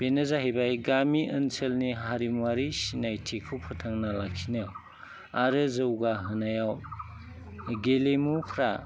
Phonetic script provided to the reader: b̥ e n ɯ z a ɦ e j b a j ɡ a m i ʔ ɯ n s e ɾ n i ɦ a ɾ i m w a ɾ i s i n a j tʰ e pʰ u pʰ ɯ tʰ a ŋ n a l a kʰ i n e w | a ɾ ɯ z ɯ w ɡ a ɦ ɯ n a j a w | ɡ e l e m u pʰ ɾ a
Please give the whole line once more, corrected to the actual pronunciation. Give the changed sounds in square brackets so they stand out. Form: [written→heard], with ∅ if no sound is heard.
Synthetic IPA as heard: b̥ e n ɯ z a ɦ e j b a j ɡ a m i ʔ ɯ n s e [ɾ→l] n i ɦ a ɾ i m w a ɾ i s i n a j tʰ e [pʰ→kʰ] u pʰ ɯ tʰ a ŋ n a l a kʰ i n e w | a ɾ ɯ z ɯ w ɡ a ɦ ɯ n a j a w | ɡ e l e m u pʰ ɾ a